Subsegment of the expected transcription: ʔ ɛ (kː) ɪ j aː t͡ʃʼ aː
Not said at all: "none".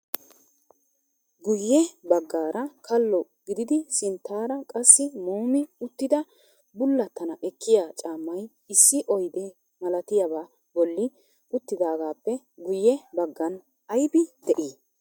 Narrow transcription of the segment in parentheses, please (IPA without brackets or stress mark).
kː